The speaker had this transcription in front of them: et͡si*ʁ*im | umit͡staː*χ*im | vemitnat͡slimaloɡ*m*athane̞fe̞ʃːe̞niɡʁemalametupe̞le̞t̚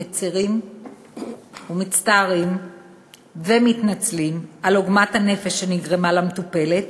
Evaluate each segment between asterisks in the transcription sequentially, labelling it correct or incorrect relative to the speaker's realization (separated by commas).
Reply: correct, incorrect, correct